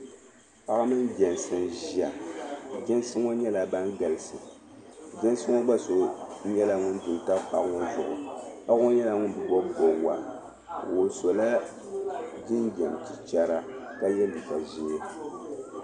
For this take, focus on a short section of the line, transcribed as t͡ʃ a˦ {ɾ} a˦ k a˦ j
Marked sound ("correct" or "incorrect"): correct